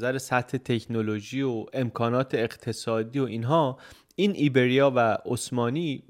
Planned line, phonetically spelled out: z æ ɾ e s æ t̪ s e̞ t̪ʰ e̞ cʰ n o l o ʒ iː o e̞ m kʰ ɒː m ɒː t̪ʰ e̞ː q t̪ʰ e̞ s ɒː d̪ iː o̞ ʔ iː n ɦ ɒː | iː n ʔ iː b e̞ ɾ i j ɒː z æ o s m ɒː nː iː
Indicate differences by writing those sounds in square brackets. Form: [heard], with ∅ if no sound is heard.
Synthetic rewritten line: z æ ɾ e s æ t̪ [h] e̞ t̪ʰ e̞ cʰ n o l o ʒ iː o e̞ m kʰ ɒː [n] ɒː t̪ʰ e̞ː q t̪ʰ e̞ s ɒː d̪ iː o̞ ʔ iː n ɦ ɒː | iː n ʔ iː b e̞ ɾ i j ɒː [v] æ o s m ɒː [n] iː